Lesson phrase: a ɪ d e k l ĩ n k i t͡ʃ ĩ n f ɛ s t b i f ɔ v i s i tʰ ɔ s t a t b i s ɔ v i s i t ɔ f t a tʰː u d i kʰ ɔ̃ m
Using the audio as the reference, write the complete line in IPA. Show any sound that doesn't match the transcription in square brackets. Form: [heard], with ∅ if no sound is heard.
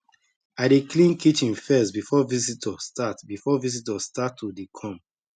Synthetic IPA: a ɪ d e k l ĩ n k i t͡ʃ ĩ n f ɛ s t b i f ɔ v i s i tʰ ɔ s t a t b i [f] ɔ v i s i t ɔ [s] t a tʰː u d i kʰ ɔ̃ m